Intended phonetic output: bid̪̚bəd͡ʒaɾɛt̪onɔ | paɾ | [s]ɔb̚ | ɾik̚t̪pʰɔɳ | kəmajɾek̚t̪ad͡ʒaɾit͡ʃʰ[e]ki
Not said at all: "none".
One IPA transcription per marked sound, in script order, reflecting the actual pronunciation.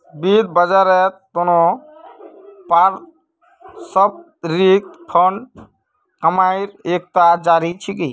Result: s, i

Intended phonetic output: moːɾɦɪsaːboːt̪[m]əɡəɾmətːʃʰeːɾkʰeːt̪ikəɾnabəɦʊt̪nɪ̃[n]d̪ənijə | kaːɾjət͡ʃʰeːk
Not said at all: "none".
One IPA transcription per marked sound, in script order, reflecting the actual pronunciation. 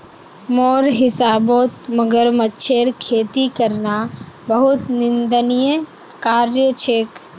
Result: m, n

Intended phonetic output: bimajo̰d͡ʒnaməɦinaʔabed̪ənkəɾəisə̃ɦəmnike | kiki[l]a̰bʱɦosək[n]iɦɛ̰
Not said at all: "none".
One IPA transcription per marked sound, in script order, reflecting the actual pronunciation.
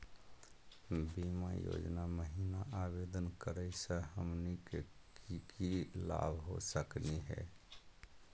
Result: l, n

